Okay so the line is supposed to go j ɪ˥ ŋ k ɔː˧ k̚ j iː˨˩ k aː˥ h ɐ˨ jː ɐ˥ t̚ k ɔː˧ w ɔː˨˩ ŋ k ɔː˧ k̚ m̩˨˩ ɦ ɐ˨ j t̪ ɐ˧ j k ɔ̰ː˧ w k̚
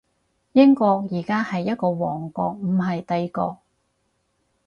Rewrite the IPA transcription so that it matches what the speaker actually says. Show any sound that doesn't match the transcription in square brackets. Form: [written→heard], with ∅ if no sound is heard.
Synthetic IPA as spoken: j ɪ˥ ŋ k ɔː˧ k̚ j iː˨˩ k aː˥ h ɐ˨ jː ɐ˥ t̚ k ɔː˧ w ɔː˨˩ ŋ k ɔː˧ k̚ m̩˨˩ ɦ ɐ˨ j t̪ ɐ˧ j k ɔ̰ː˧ [w→∅] k̚